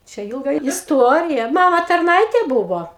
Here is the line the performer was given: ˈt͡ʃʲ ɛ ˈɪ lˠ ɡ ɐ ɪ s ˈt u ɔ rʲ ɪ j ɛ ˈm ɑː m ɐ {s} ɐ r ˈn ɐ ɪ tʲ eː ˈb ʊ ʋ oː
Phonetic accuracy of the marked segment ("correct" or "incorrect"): incorrect